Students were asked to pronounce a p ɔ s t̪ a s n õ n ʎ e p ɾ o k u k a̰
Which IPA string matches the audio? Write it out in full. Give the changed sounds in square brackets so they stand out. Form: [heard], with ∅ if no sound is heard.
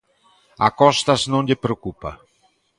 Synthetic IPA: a [k] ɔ s t̪ a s n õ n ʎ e p ɾ o k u [p] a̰